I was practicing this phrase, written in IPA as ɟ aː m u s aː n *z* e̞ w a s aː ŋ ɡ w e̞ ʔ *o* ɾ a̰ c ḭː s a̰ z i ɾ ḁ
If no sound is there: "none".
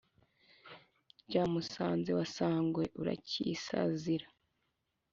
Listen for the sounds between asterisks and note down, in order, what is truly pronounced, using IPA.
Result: z, u

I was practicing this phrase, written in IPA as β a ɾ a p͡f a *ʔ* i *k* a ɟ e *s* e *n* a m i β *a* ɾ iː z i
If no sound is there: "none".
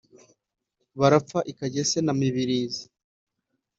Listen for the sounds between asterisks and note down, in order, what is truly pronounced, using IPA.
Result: ʔ, k, s, n, i

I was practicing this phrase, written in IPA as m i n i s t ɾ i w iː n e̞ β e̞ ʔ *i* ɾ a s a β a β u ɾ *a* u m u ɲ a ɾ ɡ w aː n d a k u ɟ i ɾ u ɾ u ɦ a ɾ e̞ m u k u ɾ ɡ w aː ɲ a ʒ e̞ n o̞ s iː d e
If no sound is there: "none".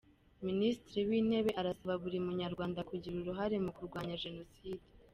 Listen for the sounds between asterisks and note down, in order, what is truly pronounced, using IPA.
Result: a, i

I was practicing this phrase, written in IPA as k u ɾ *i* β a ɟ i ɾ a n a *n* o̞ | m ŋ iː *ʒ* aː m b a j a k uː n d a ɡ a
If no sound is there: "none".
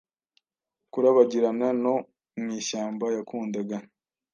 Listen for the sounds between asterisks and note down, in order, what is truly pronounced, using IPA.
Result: a, n, ʃ

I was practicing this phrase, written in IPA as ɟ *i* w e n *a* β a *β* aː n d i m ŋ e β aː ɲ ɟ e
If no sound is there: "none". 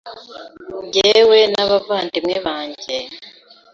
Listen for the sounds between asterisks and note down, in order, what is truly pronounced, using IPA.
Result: e, a, v

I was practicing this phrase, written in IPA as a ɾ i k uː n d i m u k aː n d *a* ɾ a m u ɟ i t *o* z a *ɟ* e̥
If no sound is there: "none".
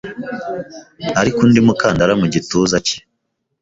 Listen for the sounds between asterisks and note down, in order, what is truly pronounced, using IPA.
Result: a, u, c

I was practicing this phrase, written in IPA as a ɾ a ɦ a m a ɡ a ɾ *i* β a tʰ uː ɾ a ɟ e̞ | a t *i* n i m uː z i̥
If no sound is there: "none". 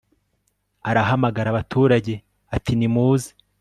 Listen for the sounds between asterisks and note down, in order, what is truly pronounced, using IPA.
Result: a, i

